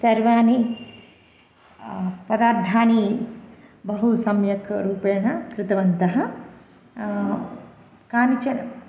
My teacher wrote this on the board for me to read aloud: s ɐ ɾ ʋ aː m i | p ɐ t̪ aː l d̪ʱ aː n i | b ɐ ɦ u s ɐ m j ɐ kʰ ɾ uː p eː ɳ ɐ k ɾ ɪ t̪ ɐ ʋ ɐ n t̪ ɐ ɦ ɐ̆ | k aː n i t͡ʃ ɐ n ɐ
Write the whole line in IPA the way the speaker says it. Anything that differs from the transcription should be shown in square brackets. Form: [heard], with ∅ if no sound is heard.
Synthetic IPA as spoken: s ɐ ɾ ʋ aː [n] i | p ɐ [d̪] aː [ɾ] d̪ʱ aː n i | b ɐ ɦ u s ɐ m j ɐ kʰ ɾ uː p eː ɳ ɐ k ɾ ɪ t̪ ɐ ʋ ɐ n t̪ ɐ ɦ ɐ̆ | k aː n i t͡ʃ ɐ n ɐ

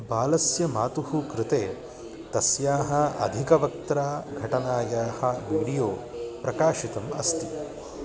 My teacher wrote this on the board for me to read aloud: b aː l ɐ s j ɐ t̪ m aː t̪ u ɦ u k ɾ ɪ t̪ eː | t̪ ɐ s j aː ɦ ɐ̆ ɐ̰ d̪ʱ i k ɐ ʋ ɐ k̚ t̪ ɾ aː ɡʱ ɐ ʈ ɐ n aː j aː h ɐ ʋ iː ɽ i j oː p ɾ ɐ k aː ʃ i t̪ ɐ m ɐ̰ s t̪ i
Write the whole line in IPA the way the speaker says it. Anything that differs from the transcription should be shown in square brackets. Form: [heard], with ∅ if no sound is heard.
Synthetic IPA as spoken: b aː l ɐ s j ɐ [∅] m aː t̪ u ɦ u k ɾ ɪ t̪ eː | t̪ ɐ s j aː ɦ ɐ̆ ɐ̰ d̪ʱ i k ɐ ʋ ɐ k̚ t̪ ɾ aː ɡʱ ɐ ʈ ɐ n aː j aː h ɐ ʋ iː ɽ i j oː p ɾ ɐ k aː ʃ i t̪ ɐ m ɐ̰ s t̪ i

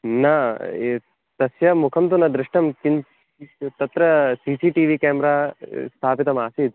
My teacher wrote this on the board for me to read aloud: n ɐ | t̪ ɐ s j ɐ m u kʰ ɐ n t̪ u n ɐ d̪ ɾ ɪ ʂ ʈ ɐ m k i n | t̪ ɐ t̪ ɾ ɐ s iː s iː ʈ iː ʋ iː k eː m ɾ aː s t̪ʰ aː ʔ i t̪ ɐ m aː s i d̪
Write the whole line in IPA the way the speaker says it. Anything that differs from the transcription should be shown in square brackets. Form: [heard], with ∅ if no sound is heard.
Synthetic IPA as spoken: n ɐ | t̪ ɐ s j ɐ m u kʰ ɐ [m] t̪ u n ɐ d̪ ɾ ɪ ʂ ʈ ɐ m k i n | t̪ ɐ t̪ ɾ ɐ s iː s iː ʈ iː ʋ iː k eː m ɾ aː s t̪ʰ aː [p] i t̪ ɐ m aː s i d̪

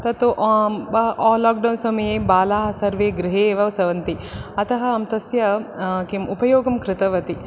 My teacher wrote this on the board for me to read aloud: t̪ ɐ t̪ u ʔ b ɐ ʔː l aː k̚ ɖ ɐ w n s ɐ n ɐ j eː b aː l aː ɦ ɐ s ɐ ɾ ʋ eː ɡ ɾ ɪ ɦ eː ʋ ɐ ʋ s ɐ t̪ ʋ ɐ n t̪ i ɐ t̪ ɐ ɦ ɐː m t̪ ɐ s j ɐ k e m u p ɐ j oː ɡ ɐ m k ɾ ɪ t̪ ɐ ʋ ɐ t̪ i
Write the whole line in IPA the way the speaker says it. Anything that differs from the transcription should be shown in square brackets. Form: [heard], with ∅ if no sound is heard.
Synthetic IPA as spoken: t̪ ɐ t̪ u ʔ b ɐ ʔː l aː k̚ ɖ ɐ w n s ɐ [m] ɐ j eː b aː l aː ɦ ɐ s ɐ ɾ ʋ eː ɡ ɾ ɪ ɦ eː ʋ ɐ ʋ s ɐ [∅] ʋ ɐ n t̪ i ɐ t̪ ɐ ɦ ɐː m t̪ ɐ s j ɐ k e m u p ɐ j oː ɡ ɐ m k ɾ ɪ t̪ ɐ ʋ ɐ t̪ i

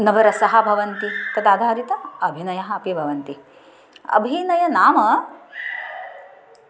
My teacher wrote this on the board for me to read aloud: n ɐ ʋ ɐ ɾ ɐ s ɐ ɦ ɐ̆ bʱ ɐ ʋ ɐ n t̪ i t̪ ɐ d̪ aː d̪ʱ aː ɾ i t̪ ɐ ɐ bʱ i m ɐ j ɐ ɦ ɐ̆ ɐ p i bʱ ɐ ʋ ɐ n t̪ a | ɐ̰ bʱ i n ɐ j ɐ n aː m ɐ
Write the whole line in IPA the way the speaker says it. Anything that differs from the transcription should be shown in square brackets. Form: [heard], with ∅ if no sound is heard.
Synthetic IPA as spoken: n ɐ ʋ ɐ ɾ ɐ s ɐ ɦ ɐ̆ bʱ ɐ ʋ ɐ n t̪ i t̪ ɐ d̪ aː d̪ʱ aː ɾ i t̪ ɐ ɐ bʱ i [n] ɐ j ɐ ɦ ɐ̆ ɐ p i bʱ ɐ ʋ ɐ n t̪ [i] | ɐ̰ bʱ i n ɐ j ɐ n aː m ɐ

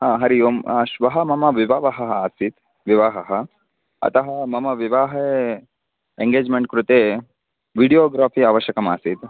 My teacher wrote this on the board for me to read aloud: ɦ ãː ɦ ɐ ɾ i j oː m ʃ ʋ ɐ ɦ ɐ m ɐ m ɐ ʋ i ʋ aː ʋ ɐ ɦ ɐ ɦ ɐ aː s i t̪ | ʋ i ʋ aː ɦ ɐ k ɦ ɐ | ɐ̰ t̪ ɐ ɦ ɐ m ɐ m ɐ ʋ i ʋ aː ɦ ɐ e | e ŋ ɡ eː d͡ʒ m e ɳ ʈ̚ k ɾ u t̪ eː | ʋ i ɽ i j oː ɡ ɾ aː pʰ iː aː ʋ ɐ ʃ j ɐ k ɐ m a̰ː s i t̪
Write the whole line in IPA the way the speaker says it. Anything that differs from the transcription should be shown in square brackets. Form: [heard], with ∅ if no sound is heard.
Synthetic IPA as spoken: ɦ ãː ɦ ɐ ɾ i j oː m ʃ ʋ ɐ ɦ ɐ m ɐ m ɐ ʋ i ʋ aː ʋ ɐ ɦ ɐ ɦ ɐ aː s i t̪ | ʋ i ʋ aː ɦ ɐ [∅] ɦ ɐ | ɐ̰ t̪ ɐ ɦ ɐ m ɐ m ɐ ʋ i ʋ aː ɦ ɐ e | e ŋ ɡ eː d͡ʒ m e ɳ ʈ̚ k ɾ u t̪ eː | ʋ i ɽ i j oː ɡ ɾ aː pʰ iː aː ʋ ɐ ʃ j ɐ k ɐ m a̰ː s i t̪

